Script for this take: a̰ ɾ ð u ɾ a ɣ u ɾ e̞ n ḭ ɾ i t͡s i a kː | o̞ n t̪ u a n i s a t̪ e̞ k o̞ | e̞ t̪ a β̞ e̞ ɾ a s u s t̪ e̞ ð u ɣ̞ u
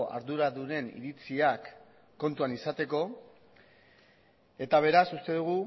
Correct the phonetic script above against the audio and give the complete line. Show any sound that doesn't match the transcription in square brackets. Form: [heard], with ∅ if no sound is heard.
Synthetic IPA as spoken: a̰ ɾ ð u ɾ a [ð] u ɾ e̞ n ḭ ɾ i t͡s i a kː | o̞ n t̪ u a n i s a t̪ e̞ k o̞ | e̞ t̪ a β̞ e̞ ɾ a s u s t̪ e̞ ð u ɣ̞ u